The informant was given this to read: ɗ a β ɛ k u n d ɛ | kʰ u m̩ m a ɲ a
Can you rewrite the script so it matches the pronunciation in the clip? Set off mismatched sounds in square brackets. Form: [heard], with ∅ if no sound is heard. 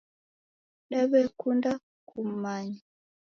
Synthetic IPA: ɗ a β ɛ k u n d [a] | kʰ u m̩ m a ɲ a